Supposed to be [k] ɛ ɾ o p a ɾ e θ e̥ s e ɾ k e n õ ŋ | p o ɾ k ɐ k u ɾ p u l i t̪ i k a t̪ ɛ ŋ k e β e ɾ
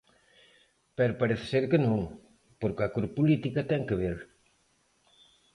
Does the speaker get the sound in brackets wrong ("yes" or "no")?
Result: yes